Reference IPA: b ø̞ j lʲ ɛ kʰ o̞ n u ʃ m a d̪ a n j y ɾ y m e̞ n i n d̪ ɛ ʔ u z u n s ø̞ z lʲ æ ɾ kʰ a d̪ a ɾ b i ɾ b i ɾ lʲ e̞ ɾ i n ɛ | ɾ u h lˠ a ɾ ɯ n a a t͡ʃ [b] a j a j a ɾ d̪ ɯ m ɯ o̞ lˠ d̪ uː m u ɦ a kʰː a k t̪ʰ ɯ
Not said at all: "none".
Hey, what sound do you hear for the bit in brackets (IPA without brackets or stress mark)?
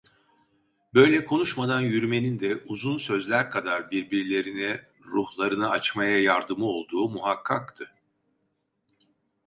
m